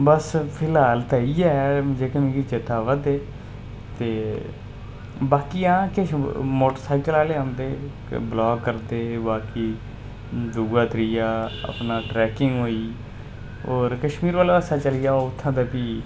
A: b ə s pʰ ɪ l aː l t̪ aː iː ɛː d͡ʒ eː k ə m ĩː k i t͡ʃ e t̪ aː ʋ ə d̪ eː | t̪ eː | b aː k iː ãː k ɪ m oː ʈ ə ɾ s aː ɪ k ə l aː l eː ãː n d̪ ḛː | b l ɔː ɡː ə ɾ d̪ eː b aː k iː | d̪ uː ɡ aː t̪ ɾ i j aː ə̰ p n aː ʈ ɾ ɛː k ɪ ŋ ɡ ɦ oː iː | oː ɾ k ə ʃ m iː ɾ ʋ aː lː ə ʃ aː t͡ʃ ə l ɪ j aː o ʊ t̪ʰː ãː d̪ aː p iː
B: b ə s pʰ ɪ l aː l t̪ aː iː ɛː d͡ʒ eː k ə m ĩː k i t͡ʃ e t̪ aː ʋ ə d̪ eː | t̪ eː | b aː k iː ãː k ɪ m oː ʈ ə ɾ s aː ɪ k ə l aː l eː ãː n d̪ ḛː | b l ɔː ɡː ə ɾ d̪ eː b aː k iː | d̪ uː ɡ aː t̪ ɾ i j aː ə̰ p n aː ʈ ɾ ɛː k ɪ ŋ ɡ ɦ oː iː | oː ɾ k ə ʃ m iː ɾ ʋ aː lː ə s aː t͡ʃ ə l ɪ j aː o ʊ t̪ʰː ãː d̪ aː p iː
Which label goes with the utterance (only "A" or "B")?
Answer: B